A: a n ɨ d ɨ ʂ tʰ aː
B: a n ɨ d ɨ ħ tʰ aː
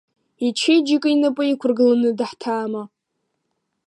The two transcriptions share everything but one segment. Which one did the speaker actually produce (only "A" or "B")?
B